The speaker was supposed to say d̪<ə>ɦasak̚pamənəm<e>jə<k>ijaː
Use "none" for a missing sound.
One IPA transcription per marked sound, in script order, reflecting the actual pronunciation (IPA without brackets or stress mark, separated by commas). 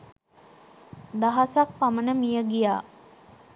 a, i, ɡ